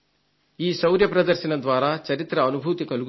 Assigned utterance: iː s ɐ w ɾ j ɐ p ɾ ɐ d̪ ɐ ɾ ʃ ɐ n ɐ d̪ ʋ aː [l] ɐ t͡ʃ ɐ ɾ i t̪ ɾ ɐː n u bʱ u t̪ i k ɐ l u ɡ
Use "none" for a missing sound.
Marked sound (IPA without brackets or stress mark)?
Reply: ɾ